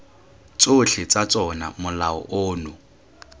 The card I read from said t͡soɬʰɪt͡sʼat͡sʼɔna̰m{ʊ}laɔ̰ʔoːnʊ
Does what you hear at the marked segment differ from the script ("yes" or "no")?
no